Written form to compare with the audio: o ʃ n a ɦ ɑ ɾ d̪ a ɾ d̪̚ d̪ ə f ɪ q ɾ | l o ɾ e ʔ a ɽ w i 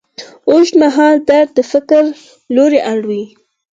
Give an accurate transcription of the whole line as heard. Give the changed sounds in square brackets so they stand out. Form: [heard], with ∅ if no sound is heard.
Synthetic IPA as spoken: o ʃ [m] a ɦ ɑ [l] d̪ a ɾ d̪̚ d̪ ə f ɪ [k] ɾ | l o ɾ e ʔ a ɽ w i